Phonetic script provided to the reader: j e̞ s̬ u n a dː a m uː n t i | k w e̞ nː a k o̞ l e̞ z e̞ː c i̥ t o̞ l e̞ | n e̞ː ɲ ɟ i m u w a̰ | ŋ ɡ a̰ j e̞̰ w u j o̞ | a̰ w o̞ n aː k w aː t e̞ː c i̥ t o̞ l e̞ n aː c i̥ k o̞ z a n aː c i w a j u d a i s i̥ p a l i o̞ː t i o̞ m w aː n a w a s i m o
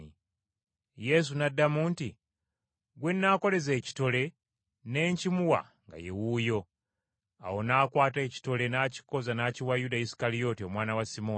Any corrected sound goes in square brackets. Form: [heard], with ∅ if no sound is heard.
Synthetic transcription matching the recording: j e̞ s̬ u n a dː a m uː n t i | [ɡ] w e̞ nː a k o̞ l e̞ z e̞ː c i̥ t o̞ l e̞ | n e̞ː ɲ [c] i m u w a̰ | ŋ ɡ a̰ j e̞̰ w u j o̞ | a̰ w o̞ n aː k w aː t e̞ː c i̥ t o̞ l e̞ n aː c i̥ k o̞ z a n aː c i w a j u d a i s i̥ [k] a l i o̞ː t i o̞ m w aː n a w a s i m o